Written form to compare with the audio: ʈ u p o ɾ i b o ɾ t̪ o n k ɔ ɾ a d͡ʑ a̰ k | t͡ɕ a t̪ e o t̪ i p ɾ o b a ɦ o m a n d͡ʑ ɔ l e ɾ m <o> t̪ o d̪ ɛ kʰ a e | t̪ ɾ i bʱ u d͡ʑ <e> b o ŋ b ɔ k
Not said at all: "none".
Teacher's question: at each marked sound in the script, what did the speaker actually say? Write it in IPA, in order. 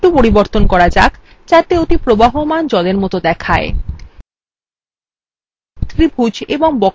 ɔ, e

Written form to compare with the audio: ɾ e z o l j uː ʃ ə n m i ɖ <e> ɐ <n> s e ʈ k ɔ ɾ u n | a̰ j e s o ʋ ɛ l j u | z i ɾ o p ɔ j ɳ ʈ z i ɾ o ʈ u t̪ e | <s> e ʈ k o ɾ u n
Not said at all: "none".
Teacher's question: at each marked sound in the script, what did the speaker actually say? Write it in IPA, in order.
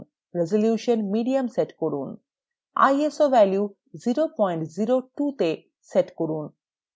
i, m, s

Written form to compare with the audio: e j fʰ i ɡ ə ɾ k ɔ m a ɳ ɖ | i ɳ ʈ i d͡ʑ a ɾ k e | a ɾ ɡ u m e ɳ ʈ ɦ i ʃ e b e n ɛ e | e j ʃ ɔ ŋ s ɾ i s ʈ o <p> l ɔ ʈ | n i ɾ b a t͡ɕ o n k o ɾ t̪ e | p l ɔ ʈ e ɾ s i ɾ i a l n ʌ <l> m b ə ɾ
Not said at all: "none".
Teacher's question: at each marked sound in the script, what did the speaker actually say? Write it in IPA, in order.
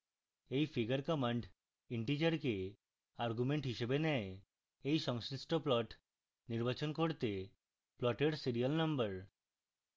p, none

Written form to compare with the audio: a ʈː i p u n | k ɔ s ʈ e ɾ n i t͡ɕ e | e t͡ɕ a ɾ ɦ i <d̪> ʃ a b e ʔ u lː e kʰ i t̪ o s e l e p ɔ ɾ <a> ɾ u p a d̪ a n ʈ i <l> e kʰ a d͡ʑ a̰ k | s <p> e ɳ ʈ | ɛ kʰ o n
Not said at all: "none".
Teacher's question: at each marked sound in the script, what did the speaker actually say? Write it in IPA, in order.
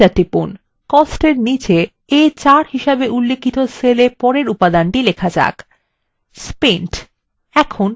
none, e, l, p

